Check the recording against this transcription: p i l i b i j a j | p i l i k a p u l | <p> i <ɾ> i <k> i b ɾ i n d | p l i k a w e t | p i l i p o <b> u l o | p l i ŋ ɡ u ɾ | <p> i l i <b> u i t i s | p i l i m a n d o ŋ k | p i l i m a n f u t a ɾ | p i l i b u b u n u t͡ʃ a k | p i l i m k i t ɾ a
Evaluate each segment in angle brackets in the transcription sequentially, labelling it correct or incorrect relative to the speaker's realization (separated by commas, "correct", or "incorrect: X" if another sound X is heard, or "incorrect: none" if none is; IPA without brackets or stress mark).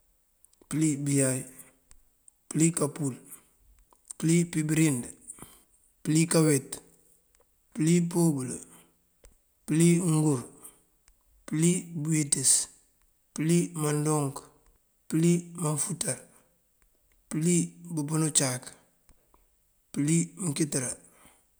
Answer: correct, incorrect: l, incorrect: p, correct, correct, correct